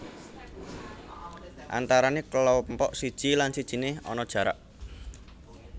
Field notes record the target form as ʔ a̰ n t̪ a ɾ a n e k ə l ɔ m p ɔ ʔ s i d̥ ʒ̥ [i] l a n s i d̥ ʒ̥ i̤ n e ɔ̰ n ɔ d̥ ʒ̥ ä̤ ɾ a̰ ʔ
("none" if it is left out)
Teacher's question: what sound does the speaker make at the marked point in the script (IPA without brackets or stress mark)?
i